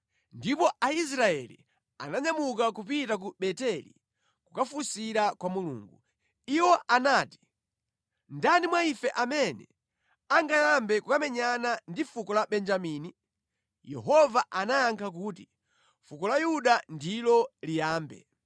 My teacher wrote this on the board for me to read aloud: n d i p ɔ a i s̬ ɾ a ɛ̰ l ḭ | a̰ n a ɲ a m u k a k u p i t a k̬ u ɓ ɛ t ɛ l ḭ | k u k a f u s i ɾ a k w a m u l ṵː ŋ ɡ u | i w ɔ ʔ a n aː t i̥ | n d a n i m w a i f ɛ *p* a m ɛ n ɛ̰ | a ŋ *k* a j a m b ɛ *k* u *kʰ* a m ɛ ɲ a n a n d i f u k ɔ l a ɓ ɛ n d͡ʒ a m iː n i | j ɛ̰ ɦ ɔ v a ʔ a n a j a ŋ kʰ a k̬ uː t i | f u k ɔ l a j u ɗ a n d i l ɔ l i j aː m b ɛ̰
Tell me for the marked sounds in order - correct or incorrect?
incorrect: ʔ, incorrect: ɡ, correct, incorrect: k

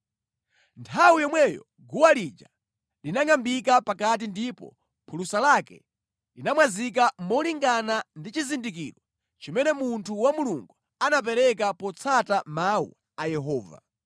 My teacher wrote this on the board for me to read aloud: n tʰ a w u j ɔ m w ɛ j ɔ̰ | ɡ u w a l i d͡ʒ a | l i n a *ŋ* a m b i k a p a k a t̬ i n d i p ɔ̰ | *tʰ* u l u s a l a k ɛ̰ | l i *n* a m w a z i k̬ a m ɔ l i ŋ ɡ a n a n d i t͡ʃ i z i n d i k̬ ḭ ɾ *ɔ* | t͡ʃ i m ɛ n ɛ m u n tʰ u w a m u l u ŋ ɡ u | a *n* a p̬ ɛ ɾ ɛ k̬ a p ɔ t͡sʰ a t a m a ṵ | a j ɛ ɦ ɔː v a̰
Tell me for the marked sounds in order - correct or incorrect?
correct, incorrect: pʰ, correct, correct, correct

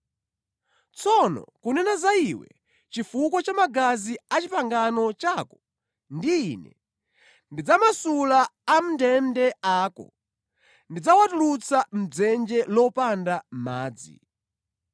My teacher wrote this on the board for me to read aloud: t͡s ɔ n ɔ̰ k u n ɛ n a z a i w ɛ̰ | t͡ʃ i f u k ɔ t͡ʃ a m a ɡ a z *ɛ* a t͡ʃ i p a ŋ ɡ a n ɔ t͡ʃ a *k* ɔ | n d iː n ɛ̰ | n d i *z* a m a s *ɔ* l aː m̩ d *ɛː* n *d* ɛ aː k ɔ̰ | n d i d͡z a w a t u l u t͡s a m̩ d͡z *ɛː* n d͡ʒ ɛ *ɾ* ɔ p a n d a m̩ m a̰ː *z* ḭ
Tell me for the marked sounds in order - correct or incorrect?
incorrect: i, correct, incorrect: d͡z, incorrect: u, incorrect: ɛ, correct, incorrect: ɛ, incorrect: l, incorrect: d͡z

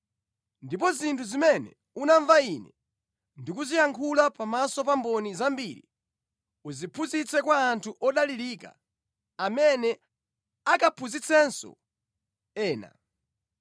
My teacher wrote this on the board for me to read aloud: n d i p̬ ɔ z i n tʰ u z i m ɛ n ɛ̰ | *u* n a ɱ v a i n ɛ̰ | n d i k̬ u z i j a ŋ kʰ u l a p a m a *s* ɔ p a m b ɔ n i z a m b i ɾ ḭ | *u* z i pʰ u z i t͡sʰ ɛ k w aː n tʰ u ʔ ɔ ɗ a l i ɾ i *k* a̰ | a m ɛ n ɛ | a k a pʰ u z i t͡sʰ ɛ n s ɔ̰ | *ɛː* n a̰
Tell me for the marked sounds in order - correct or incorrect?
correct, correct, correct, correct, correct

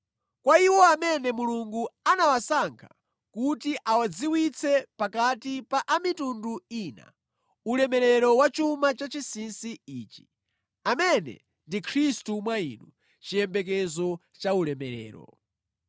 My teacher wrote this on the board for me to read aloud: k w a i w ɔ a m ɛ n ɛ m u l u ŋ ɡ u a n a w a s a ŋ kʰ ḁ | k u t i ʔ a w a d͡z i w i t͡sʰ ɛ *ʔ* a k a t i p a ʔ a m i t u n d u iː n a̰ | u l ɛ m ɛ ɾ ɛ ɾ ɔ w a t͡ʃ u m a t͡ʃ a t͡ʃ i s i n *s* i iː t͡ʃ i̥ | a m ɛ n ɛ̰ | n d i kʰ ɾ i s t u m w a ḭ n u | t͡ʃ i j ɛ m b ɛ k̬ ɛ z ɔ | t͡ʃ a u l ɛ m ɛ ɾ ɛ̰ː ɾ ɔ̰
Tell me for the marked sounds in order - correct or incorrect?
incorrect: p, correct

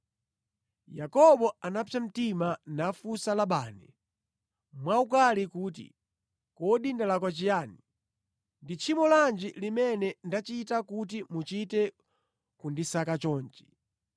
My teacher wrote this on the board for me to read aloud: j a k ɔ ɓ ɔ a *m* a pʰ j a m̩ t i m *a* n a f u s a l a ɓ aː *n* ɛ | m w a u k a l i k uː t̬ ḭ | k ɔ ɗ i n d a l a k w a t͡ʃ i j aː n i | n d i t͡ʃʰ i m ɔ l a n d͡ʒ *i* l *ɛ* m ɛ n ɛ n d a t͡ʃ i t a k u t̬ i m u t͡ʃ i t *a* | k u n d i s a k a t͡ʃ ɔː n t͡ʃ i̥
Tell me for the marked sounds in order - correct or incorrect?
incorrect: n, correct, correct, correct, incorrect: i, incorrect: ɛ

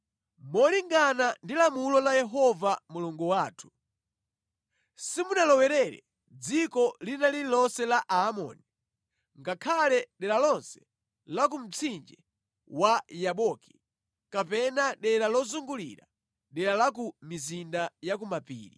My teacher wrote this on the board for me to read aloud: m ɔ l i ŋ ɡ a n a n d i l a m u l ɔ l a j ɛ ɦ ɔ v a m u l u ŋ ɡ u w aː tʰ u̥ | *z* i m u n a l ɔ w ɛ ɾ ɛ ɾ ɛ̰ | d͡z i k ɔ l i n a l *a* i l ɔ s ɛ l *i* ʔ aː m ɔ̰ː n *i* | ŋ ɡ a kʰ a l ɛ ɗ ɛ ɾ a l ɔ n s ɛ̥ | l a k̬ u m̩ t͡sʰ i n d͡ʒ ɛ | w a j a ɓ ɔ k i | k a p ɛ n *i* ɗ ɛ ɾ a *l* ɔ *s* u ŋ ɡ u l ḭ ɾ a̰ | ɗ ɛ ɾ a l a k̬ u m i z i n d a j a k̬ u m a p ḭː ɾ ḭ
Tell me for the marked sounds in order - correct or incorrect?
incorrect: s, incorrect: i, incorrect: a, correct, incorrect: a, correct, incorrect: z

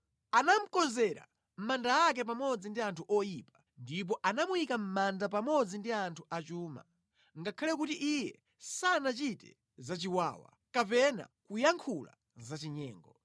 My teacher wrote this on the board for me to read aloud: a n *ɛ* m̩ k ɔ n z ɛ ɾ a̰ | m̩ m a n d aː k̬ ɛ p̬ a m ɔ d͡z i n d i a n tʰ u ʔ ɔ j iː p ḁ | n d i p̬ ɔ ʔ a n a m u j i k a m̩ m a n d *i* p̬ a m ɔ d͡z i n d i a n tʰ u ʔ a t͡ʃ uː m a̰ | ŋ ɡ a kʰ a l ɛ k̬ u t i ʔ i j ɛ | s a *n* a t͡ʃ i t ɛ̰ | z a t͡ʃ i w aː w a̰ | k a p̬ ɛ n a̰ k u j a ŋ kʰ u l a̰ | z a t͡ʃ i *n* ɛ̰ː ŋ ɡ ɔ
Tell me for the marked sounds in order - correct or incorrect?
incorrect: a, incorrect: a, correct, incorrect: ɲ

